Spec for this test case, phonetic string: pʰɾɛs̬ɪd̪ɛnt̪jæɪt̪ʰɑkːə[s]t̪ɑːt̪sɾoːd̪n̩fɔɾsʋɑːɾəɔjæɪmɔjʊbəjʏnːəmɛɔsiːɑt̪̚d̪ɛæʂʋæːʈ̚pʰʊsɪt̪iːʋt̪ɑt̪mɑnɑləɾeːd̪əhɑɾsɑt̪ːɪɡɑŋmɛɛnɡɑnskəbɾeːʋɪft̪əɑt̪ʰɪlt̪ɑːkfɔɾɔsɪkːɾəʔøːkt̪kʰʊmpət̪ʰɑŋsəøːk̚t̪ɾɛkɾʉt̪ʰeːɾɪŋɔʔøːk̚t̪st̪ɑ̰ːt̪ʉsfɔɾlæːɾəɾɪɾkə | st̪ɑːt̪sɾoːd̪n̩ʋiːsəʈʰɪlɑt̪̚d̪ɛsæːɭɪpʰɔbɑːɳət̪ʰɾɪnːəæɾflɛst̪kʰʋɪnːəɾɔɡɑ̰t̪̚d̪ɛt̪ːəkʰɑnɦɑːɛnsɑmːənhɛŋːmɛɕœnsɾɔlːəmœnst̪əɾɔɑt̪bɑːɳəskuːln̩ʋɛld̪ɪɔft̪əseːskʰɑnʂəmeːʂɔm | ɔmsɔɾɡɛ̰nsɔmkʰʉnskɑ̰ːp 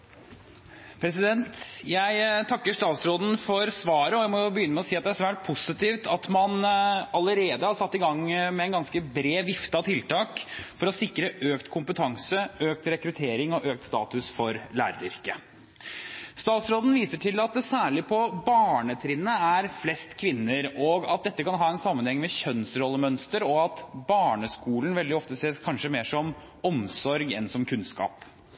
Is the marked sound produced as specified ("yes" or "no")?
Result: no